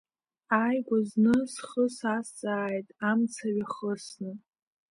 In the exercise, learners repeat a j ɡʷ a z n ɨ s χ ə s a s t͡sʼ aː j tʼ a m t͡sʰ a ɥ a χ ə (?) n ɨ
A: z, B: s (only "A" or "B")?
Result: B